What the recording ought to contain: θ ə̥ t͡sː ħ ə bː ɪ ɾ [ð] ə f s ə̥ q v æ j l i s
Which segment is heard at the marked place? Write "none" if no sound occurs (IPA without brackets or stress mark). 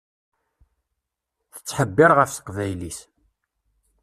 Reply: ʁ